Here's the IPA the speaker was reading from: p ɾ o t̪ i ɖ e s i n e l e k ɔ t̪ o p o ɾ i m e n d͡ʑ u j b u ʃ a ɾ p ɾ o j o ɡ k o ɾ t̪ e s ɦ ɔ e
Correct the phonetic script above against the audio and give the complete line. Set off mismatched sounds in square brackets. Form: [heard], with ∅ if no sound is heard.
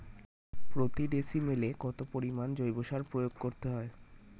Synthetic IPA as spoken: p ɾ o t̪ i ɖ e s i [m] e l e k ɔ t̪ o p o ɾ i m [a] n d͡ʑ [o] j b [o] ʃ a ɾ p ɾ o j o ɡ k o ɾ t̪ e [∅] ɦ ɔ e